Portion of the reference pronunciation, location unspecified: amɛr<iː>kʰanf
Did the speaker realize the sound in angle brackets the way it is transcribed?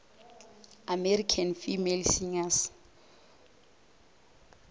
no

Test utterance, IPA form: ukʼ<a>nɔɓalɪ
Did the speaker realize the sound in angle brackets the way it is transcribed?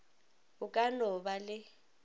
yes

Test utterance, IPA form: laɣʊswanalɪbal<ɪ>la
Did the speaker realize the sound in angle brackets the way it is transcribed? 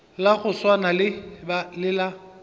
yes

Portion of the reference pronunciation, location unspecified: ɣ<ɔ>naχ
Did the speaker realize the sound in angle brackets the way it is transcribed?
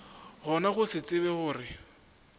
yes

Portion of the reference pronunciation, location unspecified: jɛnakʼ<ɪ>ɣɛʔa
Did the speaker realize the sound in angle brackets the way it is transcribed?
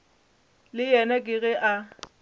yes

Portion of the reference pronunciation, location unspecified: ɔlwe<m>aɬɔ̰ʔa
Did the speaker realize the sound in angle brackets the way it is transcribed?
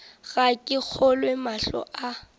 yes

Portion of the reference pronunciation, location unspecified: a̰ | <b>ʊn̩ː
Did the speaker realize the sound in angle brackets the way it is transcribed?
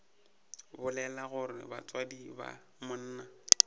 no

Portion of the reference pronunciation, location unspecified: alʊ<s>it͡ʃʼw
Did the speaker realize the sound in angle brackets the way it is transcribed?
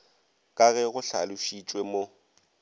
no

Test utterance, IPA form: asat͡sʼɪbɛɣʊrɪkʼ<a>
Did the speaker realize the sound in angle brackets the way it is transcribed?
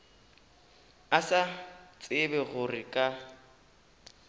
yes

